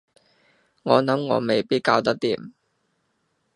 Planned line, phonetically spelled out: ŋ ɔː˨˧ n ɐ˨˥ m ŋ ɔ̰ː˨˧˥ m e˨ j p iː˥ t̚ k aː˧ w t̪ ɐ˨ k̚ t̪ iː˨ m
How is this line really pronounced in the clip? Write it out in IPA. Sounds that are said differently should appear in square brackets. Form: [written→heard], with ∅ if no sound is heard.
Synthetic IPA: ŋ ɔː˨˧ n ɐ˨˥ m ŋ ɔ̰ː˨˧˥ m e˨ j p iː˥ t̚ k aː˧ w t̪ [ɐ˨→ɐ˥] k̚ t̪ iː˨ m